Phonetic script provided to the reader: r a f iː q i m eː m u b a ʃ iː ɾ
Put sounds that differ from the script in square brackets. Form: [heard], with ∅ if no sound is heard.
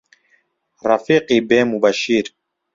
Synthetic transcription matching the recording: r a f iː q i [b] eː m u b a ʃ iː ɾ